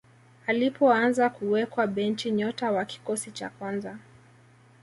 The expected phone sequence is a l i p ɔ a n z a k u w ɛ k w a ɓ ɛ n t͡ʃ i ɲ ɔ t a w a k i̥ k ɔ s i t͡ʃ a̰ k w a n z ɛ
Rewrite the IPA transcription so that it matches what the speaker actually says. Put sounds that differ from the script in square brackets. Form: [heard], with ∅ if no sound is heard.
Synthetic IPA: a l i p ɔ a n z a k u w ɛ k w a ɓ ɛ n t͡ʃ i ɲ ɔ t a w a k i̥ k ɔ s i t͡ʃ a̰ k w a n z [a]